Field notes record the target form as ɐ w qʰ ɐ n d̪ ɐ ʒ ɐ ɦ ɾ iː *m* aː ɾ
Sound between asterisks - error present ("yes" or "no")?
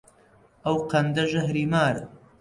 no